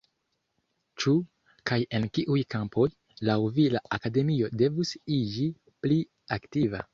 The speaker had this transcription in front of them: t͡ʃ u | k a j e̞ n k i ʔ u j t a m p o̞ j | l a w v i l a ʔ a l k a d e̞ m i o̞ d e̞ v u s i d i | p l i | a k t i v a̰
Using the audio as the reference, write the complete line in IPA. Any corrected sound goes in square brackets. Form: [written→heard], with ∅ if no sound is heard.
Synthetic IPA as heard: t͡ʃ u | k a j e̞ n k i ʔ u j [t→k] a m p o̞ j | l a w v i l a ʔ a [l→∅] k a d e̞ m i o̞ d e̞ v u s i [d→d͡ʒ] i | p l i | a k t i v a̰